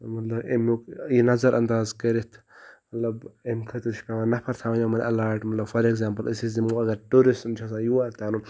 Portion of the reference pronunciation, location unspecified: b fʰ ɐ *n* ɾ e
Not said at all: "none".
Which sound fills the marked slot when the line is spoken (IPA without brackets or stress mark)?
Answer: none